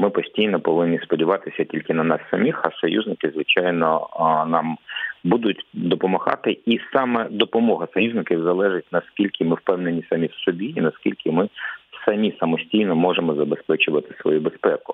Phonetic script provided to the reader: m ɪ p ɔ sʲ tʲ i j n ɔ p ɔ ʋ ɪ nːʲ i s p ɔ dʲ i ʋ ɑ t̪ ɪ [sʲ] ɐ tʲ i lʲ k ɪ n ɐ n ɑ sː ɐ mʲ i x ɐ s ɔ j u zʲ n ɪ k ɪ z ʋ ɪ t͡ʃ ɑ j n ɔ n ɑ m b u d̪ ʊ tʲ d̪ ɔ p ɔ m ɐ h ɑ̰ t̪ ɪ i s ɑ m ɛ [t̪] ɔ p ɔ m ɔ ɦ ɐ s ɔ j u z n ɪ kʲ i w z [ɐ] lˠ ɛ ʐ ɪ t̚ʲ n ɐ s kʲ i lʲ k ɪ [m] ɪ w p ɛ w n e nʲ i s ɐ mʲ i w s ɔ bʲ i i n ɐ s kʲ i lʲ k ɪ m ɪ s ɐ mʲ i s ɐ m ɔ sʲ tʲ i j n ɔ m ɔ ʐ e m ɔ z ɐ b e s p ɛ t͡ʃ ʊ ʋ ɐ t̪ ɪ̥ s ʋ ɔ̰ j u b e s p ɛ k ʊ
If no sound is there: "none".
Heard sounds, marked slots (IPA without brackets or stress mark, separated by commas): sʲ, d̪, ɐ, m